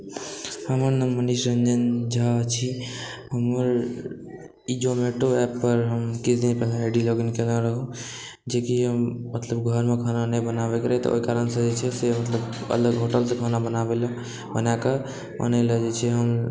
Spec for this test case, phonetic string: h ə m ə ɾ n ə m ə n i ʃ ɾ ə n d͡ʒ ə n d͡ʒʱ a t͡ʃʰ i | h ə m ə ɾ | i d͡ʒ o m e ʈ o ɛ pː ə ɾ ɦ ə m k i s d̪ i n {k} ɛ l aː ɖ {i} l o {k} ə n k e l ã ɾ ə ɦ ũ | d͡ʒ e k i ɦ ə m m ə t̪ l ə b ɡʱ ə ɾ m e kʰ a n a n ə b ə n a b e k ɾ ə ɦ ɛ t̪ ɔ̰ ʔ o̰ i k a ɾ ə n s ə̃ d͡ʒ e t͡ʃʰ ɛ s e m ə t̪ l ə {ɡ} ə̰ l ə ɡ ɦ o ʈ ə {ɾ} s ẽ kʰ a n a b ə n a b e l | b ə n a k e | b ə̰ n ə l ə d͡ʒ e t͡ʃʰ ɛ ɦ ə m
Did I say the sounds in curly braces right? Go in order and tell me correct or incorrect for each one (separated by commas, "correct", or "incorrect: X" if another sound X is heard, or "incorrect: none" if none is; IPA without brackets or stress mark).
incorrect: p, correct, incorrect: ɡ, incorrect: b, incorrect: l